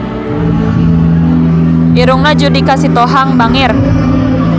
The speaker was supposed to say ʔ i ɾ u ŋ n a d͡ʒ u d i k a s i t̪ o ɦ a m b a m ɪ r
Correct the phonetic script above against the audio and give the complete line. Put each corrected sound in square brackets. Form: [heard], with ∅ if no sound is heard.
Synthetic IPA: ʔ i ɾ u ŋ n a d͡ʒ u d i k a s i t̪ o ɦ a [ŋ] b a [ŋ] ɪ r